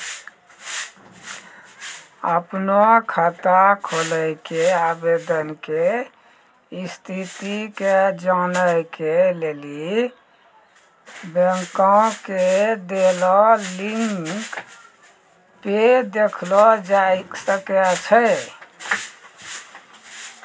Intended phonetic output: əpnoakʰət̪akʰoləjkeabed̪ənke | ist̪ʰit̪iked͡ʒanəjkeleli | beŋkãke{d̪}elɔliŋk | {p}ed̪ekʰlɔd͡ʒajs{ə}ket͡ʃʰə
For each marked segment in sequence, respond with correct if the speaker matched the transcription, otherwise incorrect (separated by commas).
correct, correct, correct